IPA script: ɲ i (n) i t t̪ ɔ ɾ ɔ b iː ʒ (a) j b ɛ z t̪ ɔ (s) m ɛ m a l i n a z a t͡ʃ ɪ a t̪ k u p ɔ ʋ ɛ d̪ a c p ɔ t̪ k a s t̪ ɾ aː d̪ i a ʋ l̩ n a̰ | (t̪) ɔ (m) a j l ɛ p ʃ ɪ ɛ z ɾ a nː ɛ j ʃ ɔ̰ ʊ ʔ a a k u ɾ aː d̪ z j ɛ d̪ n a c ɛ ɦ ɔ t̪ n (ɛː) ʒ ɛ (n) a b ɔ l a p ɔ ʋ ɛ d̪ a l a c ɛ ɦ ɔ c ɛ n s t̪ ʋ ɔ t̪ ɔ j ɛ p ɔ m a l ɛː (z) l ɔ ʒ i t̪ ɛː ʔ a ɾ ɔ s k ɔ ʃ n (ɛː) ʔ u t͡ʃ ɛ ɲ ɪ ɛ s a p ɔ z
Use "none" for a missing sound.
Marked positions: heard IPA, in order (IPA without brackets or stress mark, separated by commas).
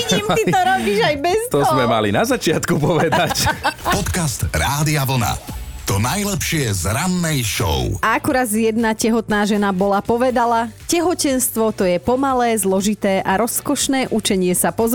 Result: m, a, z, t̪, n, aː, n, z, ɛː